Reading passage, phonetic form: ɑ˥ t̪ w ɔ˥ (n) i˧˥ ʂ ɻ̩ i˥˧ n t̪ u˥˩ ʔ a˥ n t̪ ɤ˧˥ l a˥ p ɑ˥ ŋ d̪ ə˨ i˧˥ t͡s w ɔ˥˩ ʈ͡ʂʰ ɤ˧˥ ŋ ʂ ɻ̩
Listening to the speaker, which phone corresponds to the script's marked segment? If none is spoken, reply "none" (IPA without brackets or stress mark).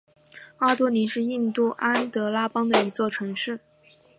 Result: n